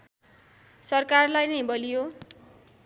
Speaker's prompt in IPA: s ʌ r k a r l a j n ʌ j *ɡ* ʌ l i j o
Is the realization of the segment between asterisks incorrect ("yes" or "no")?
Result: yes